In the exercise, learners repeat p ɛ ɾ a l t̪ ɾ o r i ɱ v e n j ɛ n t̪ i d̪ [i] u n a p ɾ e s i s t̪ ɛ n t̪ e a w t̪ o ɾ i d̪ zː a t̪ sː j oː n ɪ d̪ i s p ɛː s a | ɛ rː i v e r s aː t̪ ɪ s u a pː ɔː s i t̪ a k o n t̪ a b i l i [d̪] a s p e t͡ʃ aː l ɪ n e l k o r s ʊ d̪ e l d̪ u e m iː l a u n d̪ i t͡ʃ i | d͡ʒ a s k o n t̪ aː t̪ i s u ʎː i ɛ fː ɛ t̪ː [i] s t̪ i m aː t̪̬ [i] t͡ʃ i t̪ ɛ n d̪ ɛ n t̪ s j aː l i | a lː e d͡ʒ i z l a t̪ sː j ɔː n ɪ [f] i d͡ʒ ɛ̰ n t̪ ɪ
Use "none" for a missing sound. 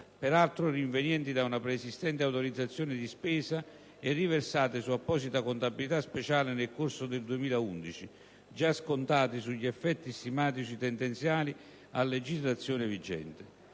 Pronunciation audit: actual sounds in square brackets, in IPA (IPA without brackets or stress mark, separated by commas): a, t̪, i, i, v